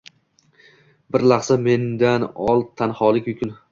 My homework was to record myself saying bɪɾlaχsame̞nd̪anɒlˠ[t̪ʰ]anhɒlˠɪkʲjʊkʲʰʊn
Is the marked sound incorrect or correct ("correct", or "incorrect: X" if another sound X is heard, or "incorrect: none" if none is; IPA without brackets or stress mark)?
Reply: correct